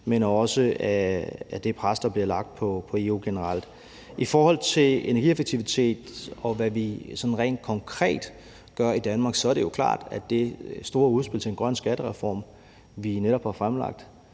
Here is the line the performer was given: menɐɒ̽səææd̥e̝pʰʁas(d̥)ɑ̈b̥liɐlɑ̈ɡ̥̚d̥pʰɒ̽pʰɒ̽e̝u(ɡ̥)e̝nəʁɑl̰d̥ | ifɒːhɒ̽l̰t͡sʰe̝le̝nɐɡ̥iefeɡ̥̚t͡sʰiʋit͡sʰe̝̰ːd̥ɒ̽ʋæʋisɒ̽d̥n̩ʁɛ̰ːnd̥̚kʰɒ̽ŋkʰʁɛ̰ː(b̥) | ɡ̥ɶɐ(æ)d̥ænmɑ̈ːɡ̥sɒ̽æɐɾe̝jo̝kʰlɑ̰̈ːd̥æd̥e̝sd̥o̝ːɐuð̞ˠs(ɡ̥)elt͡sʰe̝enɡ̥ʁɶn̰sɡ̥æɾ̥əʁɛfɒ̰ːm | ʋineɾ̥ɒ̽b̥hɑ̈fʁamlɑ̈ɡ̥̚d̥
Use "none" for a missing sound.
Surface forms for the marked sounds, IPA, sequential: d̥, ɡ̥, d̥, i, b̥

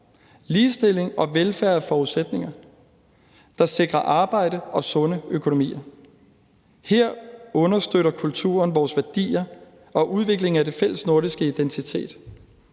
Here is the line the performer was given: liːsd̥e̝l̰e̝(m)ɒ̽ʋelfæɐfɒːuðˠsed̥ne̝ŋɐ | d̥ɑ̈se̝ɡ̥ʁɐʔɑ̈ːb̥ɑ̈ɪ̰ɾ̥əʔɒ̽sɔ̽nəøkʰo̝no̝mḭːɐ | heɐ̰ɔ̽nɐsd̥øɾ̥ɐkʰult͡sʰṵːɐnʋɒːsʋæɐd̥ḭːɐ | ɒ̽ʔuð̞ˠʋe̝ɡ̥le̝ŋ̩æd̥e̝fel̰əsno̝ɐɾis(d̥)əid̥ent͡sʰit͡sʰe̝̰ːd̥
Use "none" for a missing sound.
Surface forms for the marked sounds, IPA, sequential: ŋ, ɡ̥

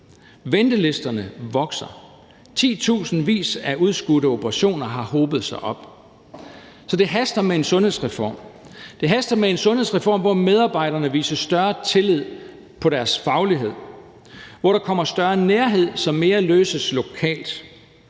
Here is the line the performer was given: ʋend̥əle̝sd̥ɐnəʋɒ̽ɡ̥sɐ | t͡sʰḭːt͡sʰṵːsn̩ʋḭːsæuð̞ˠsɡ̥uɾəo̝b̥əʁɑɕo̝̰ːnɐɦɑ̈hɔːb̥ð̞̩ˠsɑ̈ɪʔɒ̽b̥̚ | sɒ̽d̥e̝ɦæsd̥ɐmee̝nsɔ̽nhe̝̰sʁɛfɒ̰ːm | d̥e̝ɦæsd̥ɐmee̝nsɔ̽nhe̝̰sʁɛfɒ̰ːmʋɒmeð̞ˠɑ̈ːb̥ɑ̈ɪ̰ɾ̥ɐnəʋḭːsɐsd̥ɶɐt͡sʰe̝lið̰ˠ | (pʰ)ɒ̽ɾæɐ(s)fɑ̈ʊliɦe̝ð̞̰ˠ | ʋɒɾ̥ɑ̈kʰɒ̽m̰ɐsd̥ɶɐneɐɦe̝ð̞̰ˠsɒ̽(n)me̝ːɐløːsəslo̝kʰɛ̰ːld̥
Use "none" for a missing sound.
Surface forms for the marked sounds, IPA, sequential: pʰ, s, m

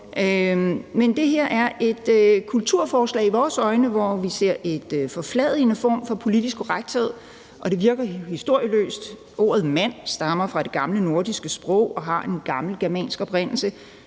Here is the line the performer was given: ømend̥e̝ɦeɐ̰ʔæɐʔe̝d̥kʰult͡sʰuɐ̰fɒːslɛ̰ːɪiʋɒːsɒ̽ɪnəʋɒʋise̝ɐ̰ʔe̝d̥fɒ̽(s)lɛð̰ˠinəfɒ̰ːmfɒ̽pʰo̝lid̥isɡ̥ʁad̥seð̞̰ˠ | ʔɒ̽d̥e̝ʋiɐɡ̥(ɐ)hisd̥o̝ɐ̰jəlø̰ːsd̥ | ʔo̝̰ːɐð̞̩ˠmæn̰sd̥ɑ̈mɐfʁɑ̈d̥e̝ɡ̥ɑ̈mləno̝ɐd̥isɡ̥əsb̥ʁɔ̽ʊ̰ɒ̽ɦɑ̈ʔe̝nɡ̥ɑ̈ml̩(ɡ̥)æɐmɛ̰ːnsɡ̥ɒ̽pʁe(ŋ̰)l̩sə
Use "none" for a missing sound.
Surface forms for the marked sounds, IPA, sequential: f, ɐ, ɡ̥, n̰

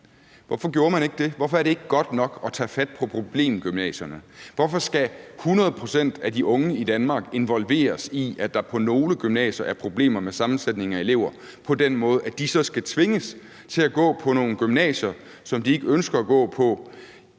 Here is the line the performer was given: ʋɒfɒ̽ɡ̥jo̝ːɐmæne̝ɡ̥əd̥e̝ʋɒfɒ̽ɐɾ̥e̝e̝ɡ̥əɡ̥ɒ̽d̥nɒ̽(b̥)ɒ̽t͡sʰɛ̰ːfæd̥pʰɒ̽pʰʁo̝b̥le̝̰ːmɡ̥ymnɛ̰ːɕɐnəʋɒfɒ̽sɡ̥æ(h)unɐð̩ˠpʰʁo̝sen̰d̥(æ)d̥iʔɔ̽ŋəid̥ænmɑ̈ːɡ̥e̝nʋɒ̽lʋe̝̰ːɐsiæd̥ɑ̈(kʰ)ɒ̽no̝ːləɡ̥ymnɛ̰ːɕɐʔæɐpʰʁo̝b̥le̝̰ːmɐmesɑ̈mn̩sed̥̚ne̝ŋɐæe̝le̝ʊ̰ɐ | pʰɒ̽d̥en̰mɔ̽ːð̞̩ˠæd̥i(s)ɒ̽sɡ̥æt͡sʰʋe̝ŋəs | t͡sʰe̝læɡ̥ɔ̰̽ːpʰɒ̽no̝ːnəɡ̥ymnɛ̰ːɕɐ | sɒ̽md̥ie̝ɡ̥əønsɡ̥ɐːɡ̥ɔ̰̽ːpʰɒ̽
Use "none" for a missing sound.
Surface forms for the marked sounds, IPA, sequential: ɡ̥, h, æ, pʰ, s

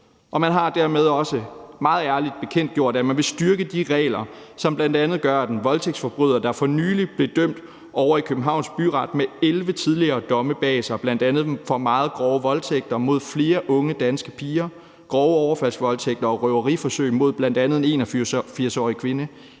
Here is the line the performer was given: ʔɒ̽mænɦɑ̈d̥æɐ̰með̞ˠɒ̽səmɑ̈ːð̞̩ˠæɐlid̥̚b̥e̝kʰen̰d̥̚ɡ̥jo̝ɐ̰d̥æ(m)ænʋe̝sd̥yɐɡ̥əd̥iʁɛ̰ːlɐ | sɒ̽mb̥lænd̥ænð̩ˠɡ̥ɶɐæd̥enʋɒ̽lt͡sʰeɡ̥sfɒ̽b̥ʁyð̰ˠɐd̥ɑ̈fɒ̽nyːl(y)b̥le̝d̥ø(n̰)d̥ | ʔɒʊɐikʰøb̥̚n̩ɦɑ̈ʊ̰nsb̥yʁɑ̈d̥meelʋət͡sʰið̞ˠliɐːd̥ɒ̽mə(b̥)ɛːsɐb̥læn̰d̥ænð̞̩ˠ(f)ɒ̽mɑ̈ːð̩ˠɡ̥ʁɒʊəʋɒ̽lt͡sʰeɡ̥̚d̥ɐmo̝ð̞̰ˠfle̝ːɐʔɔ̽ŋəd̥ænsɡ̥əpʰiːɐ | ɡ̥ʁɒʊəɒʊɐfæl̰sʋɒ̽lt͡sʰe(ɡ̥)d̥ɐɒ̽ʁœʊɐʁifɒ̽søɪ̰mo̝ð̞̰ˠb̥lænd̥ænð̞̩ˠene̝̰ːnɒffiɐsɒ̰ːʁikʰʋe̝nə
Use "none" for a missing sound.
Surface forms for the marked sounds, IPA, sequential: m, i, m̰, b̥, f, ɡ̥

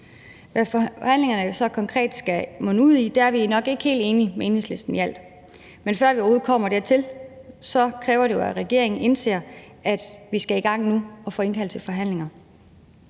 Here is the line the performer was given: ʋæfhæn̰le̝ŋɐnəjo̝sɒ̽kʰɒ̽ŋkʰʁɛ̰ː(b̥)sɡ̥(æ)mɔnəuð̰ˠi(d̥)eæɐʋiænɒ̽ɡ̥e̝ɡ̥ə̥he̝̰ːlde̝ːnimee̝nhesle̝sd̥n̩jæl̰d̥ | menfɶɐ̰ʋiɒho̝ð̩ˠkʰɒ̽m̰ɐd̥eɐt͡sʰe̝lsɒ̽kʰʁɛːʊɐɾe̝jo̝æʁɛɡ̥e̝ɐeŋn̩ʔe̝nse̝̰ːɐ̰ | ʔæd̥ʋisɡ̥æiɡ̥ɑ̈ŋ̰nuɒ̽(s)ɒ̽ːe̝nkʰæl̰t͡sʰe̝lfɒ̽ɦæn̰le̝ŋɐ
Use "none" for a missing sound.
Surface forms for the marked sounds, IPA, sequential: d̥, æ, d̥, f

